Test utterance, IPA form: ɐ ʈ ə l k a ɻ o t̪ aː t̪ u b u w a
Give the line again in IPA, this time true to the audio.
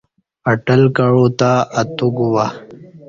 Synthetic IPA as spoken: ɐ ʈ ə l k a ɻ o t̪ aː t̪ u ɡ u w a